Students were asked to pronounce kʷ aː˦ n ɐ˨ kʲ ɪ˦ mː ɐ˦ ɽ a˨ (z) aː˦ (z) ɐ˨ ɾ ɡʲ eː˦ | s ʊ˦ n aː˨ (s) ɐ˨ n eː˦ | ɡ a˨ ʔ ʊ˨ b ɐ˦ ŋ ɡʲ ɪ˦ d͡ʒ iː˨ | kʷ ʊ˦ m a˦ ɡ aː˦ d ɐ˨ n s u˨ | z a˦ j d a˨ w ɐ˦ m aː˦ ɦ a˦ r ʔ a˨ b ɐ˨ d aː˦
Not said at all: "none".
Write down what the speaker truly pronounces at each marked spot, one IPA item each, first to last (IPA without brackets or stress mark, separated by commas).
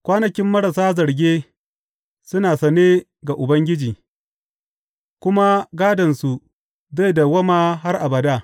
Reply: s, z, s